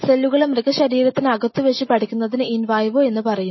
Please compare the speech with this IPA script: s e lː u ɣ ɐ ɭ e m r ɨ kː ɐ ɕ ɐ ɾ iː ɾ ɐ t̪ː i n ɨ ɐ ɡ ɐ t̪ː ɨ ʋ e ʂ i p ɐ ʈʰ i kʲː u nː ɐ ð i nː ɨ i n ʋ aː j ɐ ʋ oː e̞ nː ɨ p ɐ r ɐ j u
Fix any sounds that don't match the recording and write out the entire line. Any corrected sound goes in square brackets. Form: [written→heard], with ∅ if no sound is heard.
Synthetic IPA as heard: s e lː u ɣ ɐ ɭ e m r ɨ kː ɐ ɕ ɐ ɾ iː ɾ ɐ t̪ː i n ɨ ɐ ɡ ɐ t̪ː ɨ ʋ e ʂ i p ɐ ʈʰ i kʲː u nː ɐ ð i [nː→n] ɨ i n ʋ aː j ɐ ʋ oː e̞ nː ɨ p ɐ r ɐ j u